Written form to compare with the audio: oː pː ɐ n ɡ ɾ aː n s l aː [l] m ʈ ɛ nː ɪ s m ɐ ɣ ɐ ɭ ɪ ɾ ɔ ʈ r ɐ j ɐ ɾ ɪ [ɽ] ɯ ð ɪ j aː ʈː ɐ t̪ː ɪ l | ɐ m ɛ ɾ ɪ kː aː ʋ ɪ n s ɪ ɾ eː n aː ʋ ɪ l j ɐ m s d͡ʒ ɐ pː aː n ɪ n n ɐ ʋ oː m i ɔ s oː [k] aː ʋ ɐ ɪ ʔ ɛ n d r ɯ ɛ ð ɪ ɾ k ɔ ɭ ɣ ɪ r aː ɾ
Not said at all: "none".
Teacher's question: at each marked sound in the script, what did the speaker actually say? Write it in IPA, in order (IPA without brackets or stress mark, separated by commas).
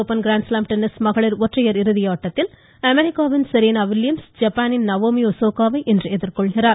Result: none, ɾ, k